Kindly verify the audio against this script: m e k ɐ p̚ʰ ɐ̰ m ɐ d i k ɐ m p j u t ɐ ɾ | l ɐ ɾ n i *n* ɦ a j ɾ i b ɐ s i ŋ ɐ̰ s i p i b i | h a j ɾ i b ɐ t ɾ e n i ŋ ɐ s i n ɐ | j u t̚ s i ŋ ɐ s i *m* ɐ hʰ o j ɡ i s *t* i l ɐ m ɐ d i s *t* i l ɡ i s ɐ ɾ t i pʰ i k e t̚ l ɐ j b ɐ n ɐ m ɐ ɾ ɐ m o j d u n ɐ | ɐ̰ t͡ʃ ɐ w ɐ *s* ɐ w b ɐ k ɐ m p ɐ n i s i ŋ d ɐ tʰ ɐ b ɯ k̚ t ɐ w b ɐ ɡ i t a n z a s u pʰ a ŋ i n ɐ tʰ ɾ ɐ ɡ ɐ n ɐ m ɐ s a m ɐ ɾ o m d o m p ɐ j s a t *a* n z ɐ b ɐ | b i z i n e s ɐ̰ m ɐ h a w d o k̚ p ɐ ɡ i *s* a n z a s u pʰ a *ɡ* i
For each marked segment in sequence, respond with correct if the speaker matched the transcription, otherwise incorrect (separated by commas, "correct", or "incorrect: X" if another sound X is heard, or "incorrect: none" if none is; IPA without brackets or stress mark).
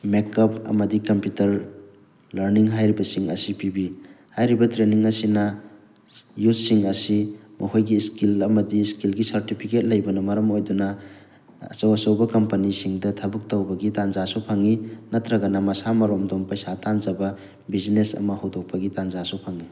incorrect: ŋ, correct, incorrect: k, incorrect: k, correct, correct, incorrect: t, incorrect: ŋ